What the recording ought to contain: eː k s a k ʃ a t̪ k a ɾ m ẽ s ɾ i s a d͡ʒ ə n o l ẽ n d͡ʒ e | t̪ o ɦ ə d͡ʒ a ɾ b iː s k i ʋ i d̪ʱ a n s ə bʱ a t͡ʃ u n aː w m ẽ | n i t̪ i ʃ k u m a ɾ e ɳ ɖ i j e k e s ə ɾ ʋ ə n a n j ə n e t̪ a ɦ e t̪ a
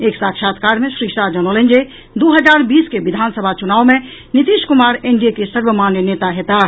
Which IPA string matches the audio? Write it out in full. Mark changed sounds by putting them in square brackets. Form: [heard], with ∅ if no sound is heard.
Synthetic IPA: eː k s a k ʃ a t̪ k a ɾ m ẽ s ɾ i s a d͡ʒ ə n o l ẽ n d͡ʒ e | [d̪] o ɦ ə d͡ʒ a ɾ b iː s k [e] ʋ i d̪ʱ a n s ə bʱ a t͡ʃ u n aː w m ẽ | n i t̪ i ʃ k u m a ɾ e ɳ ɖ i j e k e s ə ɾ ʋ ə [m] a n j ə n e t̪ a ɦ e t̪ a